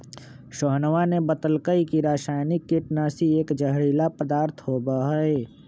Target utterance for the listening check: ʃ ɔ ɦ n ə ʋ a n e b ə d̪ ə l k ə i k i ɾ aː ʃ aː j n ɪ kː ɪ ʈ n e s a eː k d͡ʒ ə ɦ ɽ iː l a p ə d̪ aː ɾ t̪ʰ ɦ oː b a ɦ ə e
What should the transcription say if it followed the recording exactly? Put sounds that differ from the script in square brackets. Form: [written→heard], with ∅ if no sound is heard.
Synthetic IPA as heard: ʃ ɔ ɦ n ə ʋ a n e b ə [d̪→t̪] ə l k ə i k i ɾ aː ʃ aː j n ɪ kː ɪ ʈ n [e→a] s [a→i] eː k d͡ʒ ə ɦ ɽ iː l a p ə d̪ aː ɾ t̪ʰ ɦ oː b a ɦ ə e